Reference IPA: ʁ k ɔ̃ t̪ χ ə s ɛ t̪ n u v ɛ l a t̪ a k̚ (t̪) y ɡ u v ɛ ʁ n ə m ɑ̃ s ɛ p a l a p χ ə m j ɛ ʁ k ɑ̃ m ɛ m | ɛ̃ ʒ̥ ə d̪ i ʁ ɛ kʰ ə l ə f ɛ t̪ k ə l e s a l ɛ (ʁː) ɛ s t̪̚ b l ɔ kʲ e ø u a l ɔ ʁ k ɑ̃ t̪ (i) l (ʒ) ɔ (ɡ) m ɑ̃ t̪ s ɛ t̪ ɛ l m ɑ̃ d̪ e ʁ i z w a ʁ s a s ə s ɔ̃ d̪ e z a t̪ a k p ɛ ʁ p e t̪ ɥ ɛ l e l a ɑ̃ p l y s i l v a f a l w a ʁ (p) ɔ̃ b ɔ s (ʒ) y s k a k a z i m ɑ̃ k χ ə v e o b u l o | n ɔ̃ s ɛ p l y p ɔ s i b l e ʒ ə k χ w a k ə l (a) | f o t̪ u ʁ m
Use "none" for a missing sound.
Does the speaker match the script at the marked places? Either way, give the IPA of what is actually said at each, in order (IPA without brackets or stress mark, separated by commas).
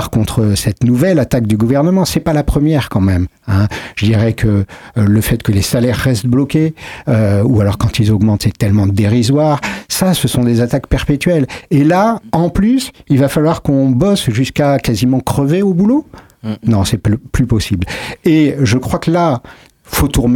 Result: d̪, ʁː, i, z, ɡ, k, ʒ, a